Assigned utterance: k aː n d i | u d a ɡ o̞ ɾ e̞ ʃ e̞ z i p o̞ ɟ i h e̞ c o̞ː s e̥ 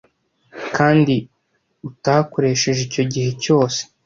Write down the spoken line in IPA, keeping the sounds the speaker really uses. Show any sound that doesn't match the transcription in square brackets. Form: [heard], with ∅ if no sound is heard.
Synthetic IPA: k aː n d i | u [t] a [k] o̞ ɾ e̞ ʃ e̞ [ʒ] i [c] o̞ ɟ i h e̞ c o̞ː s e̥

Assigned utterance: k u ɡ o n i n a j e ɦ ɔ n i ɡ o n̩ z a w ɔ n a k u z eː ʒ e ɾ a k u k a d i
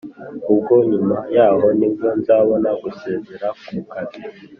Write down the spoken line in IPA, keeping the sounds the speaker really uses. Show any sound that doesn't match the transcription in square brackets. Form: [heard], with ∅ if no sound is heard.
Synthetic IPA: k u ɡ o [ɲ] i [m] a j [a] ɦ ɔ n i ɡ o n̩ z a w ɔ n a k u [s] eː [z] e ɾ a k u k a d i

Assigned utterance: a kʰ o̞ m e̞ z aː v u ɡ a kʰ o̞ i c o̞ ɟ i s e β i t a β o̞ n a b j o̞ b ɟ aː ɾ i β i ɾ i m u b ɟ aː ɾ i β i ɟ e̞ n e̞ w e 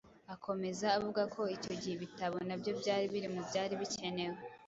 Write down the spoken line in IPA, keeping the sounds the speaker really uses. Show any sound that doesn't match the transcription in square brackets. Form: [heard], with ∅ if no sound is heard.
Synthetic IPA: a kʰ o̞ m e̞ z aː v u ɡ a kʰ o̞ i c o̞ ɟ i [h] e β i t a β o̞ n a b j o̞ b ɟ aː ɾ i β i ɾ i m u b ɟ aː ɾ i β i [c] e̞ n e̞ w e

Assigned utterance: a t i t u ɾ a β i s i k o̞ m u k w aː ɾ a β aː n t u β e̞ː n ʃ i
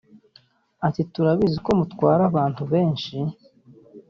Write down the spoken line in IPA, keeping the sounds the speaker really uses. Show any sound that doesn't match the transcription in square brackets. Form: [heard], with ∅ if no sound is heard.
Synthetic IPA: a t i t u ɾ a β i [z] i k o̞ m u [t] w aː ɾ a β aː n t u β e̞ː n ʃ i

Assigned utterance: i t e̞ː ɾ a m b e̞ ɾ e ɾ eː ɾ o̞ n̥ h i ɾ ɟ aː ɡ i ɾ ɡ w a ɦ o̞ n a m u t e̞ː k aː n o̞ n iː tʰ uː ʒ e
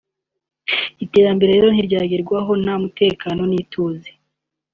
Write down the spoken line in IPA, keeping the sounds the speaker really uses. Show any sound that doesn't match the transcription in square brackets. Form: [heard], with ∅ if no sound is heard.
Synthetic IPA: i t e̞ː ɾ a m b e̞ ɾ e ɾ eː ɾ o̞ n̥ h i ɾ ɟ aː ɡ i ɾ ɡ w a ɦ o̞ n a m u t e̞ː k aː n o̞ n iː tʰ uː [z] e

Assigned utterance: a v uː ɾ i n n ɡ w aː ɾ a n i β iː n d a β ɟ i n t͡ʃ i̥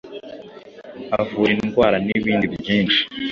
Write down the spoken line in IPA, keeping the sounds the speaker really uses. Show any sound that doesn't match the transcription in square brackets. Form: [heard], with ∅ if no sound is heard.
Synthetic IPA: a v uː ɾ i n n ɡ w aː ɾ a n i β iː n d [i] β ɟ [iː] n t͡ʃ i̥

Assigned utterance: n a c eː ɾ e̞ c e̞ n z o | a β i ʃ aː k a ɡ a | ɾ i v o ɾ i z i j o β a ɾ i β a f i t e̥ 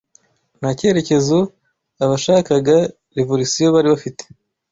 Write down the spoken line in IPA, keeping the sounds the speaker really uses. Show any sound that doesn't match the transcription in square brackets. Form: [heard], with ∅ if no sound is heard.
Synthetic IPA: n a c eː ɾ e̞ c e̞ [∅] z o | a β [a] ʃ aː k a ɡ a | ɾ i v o ɾ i [s] i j o β a ɾ i β a f i t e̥

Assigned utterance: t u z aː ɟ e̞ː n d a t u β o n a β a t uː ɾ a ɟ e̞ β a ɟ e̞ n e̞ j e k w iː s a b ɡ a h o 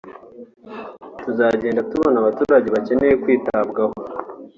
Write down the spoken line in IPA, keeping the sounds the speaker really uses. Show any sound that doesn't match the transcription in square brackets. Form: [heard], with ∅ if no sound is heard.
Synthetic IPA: t u z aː ɟ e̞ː n d a t u β o n a β a t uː ɾ a ɟ e̞ β a [c] e̞ n e̞ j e k w iː [t] a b ɡ a h o

